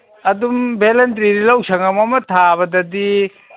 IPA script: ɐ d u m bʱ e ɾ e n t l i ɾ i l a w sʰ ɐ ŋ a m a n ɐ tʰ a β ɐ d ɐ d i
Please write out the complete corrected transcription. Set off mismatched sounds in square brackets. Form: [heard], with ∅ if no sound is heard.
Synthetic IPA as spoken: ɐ d u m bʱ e [l] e n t [ɾ] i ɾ i l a w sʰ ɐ ŋ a m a [m] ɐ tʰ a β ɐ d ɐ d i

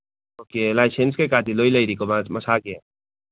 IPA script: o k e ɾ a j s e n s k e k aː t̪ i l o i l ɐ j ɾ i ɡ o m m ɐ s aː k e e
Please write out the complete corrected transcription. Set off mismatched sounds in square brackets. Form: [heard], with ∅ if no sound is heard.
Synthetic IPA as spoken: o k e [l] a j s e n s k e k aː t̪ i l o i l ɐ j ɾ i [k] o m m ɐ s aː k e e

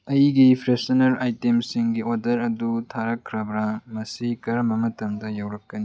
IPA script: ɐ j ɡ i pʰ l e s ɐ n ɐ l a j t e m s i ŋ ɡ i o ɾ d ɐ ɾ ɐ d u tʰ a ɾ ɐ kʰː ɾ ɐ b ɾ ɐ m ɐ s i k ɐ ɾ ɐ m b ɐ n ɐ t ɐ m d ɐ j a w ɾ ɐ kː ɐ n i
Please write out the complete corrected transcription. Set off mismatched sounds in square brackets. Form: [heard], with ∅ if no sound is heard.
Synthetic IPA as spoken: ɐ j ɡ i pʰ [ɾ] e s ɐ n ɐ [ɾ] a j t e m s i ŋ ɡ i o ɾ d ɐ ɾ ɐ d u tʰ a ɾ ɐ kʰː ɾ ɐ b ɾ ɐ m ɐ s i k ɐ ɾ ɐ m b ɐ [m] ɐ t ɐ m d ɐ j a w ɾ ɐ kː ɐ n i

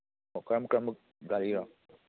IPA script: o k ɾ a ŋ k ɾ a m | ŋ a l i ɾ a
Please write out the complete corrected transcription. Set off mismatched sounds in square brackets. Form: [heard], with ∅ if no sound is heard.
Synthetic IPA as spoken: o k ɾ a [m] k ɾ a m | [ɡ] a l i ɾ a

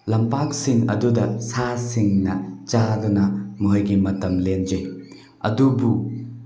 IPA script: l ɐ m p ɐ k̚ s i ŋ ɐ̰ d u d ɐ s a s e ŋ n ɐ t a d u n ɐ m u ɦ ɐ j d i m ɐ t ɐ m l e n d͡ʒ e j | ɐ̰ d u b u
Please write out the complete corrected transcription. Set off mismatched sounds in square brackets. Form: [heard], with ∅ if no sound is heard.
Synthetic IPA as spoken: l ɐ m p [a] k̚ s i ŋ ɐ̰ d u d ɐ s a s [i] ŋ n ɐ [t͡ʃ] a d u n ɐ m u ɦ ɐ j [ɡ] i m ɐ t ɐ m l e n d͡ʒ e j | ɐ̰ d u b u

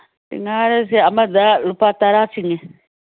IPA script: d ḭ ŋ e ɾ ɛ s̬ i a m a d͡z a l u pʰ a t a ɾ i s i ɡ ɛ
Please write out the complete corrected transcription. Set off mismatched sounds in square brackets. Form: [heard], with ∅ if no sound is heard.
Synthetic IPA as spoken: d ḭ ŋ [a] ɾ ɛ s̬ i a m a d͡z a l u [p] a t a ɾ [a] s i [ŋ] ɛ

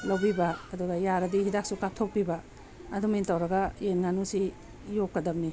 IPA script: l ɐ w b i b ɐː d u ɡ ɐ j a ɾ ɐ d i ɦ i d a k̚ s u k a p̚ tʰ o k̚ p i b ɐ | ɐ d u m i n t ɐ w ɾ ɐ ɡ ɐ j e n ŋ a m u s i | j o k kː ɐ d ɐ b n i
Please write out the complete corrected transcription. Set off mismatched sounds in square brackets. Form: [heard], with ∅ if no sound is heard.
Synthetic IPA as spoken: l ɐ w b i b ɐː d u ɡ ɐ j a ɾ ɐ d i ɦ i d a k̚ s u k a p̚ tʰ o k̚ p i b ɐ | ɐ d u m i n t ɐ w ɾ ɐ ɡ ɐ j e n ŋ a [n] u s i | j o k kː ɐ d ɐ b n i

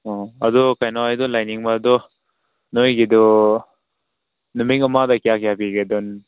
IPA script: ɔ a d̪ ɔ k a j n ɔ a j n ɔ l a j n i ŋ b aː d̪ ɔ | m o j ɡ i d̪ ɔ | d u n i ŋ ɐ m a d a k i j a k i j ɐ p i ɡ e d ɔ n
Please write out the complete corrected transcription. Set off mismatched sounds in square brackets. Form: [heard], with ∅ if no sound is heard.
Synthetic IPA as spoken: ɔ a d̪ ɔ k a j n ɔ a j [d] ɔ l a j n i ŋ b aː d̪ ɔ | [n] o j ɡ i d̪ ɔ | [n] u [m] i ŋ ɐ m a d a k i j a k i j [a] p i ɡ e d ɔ n

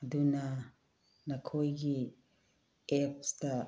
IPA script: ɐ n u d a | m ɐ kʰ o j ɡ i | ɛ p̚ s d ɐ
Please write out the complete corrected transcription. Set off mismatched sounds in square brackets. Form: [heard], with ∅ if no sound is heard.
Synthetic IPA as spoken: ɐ [d] u [n] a | [n] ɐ kʰ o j ɡ i | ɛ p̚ s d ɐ

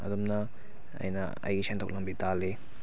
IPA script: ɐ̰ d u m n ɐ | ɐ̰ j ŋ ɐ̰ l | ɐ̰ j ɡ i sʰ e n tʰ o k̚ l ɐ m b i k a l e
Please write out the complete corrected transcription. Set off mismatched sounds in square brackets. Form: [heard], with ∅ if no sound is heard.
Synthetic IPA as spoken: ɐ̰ d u m n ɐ | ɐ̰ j [n] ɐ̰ [∅] | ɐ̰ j ɡ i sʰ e n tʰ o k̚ l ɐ m b i [t] a l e

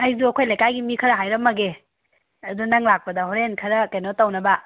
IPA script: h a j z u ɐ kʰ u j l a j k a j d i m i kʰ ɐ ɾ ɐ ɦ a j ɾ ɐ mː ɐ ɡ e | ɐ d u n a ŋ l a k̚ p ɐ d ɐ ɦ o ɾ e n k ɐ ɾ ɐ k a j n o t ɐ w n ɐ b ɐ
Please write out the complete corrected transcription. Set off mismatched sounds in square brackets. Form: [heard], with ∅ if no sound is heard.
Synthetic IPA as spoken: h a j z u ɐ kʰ [o] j l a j k a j [ɡ] i m i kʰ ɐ ɾ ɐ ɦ a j ɾ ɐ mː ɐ ɡ e | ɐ d u n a ŋ l a k̚ p ɐ d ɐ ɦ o ɾ e n [kʰ] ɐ ɾ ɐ k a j n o t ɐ w n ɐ b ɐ

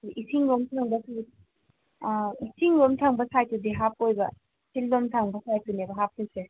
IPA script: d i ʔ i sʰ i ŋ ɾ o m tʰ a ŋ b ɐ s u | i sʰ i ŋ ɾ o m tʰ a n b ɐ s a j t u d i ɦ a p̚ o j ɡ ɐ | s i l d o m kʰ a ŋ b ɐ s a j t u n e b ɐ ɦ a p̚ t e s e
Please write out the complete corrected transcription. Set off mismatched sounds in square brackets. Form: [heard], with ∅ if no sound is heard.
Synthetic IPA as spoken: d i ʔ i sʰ i ŋ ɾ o m tʰ a ŋ b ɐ s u | i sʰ i ŋ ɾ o m tʰ a [ŋ] b ɐ s a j t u d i ɦ a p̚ o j [b] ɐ | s i l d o m [tʰ] a ŋ b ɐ s a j t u n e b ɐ ɦ a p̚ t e s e

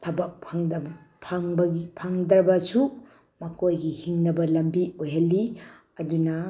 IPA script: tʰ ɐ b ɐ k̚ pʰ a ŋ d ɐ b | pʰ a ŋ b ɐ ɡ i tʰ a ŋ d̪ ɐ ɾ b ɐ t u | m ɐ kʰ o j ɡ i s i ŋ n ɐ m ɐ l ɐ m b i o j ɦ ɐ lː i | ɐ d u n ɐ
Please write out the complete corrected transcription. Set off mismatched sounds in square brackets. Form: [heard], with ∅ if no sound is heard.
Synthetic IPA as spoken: tʰ ɐ b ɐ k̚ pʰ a ŋ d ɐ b | pʰ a ŋ b ɐ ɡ i [pʰ] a ŋ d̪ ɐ ɾ b ɐ [s] u | m ɐ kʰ o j ɡ i [h] i ŋ n ɐ [b] ɐ l ɐ m b i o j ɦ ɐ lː i | ɐ d u n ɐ

